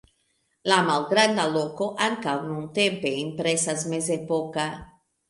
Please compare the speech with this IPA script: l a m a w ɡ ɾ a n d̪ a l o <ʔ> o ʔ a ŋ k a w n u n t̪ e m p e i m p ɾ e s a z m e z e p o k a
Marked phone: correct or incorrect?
incorrect